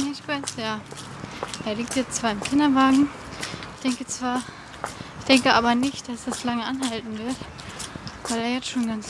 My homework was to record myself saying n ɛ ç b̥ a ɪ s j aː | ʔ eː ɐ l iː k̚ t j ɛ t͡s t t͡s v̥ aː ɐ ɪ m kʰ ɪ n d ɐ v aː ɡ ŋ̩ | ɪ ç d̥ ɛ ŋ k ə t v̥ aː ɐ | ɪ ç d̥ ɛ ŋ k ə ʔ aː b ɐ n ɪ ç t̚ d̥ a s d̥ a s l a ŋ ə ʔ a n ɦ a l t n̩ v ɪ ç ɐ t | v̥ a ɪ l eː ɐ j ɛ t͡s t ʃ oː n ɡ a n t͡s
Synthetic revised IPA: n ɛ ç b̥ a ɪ s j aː | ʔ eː ɐ l iː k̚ t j ɛ t͡s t t͡s v̥ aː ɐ ɪ m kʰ ɪ n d ɐ v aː ɡ ŋ̩ | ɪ ç d̥ ɛ ŋ k ə t͡s v̥ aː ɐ | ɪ ç d̥ ɛ ŋ k ə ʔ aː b ɐ n ɪ ç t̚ d̥ a s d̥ a s l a ŋ ə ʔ a n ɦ a l t n̩ v ɪ ɐ t | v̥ a ɪ l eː ɐ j ɛ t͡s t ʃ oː n ɡ a n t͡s